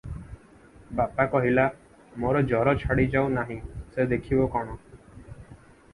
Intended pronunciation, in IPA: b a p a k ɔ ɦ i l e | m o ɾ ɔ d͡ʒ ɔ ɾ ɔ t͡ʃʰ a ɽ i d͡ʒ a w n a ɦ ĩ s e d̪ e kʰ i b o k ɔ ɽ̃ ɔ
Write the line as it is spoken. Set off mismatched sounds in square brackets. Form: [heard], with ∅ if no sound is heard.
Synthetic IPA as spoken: b a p a k ɔ ɦ i l [a] | m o ɾ ɔ d͡ʒ ɔ ɾ ɔ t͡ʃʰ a ɽ i d͡ʒ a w n a ɦ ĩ s e d̪ e kʰ i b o k ɔ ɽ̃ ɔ